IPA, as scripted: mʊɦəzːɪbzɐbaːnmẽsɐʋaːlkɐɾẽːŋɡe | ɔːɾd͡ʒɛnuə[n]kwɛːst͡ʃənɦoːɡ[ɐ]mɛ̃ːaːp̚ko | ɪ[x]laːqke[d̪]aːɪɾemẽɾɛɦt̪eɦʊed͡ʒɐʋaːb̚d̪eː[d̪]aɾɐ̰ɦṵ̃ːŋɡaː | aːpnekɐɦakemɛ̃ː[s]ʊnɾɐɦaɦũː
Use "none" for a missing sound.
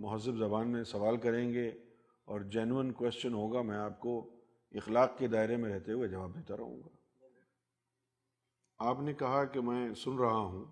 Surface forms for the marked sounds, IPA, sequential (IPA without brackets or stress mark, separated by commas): n, a, x, d̪, t̪, s